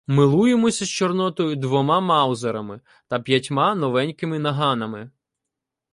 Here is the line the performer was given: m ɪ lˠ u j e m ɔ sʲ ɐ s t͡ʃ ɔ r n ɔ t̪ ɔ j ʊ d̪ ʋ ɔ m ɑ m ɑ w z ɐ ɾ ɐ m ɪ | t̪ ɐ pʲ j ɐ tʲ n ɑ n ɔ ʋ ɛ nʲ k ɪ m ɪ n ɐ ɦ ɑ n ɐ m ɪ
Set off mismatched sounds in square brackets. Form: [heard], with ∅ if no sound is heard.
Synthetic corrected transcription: m ɪ lˠ u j e m ɔ sʲ ɐ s t͡ʃ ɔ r n ɔ t̪ ɔ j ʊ d̪ ʋ ɔ m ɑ m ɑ w z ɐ ɾ ɐ m ɪ | t̪ ɐ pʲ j ɐ tʲ [m] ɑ n ɔ ʋ ɛ nʲ k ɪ m ɪ n ɐ ɦ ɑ n ɐ m ɪ